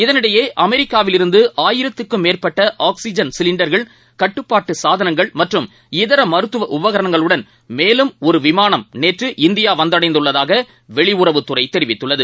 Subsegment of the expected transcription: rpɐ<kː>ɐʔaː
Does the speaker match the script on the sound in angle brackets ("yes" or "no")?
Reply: no